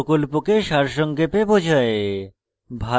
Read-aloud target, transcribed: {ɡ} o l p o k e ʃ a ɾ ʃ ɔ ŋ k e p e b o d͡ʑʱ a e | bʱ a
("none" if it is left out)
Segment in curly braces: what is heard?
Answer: k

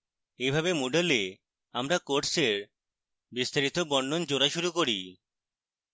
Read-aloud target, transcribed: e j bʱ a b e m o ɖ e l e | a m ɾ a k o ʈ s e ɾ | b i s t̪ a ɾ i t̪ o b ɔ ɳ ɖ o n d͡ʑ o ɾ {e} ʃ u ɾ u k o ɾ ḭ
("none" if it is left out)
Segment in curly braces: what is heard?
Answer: a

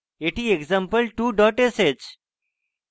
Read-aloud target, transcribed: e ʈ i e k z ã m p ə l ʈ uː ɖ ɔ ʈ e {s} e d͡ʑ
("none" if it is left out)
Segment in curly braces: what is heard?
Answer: s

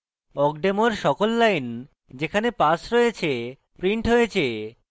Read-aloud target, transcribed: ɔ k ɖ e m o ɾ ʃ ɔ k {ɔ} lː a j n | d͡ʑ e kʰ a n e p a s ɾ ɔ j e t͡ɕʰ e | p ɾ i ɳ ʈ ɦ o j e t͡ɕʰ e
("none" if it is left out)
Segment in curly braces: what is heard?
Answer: o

